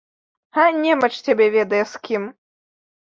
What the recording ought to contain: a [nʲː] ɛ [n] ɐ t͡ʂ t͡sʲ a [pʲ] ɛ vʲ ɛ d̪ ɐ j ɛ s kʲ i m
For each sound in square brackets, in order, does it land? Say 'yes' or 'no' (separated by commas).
no, no, no